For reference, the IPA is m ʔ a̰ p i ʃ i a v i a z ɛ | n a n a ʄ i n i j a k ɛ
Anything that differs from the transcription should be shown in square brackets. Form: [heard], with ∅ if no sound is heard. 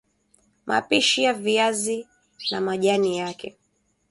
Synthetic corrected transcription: m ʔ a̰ p i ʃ i a v i a z [i] | n a [m] a ʄ [a] n i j a k ɛ